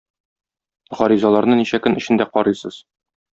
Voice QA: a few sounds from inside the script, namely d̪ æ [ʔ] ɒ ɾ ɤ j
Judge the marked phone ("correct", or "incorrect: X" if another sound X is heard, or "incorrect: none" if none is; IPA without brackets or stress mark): incorrect: q